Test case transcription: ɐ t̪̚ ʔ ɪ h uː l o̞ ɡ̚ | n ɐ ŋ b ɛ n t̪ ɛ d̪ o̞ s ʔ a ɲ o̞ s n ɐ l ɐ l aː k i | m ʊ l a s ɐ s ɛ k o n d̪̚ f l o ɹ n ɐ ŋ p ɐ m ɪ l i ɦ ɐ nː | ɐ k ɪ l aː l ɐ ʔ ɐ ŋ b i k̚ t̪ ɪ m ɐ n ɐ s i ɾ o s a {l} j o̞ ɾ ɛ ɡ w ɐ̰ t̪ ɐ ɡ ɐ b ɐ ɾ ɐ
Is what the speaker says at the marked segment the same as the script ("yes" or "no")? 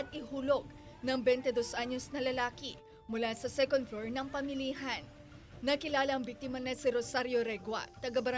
no